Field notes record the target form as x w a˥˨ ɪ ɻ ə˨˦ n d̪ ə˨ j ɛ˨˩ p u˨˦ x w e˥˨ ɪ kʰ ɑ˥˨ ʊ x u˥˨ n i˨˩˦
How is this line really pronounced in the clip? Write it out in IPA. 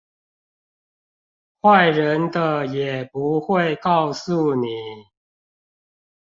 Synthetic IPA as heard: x w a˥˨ ɪ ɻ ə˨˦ n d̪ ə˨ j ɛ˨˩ p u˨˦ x w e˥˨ ɪ k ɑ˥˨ ʊ s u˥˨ n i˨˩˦